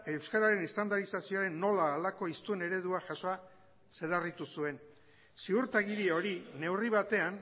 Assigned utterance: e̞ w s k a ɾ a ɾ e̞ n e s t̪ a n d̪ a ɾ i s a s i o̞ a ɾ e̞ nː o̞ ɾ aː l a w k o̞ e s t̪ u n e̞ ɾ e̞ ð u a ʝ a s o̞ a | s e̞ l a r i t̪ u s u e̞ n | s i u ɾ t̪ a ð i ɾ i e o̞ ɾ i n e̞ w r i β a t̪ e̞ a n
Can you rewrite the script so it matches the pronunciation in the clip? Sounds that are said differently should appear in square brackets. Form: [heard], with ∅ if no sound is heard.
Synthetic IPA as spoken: e̞ w s k a ɾ a ɾ e̞ n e s t̪ a n d̪ a ɾ i s a s i o̞ a ɾ e̞ nː o̞ [l] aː l a [∅] k o̞ [i] s t̪ u n e̞ ɾ e̞ ð u a ʝ a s o̞ a | s e̞ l a r i t̪ u s u e̞ n | s i u ɾ t̪ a [ɣ] i ɾ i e o̞ ɾ i n e̞ w r i β a t̪ e̞ a n